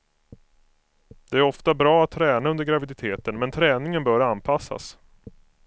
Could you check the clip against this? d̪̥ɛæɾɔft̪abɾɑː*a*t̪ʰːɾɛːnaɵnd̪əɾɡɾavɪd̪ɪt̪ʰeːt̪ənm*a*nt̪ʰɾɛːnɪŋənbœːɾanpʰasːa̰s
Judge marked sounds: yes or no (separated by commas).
yes, no